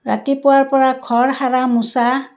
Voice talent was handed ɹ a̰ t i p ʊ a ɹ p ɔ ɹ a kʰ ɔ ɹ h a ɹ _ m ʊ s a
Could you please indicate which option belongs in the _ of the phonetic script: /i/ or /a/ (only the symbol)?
a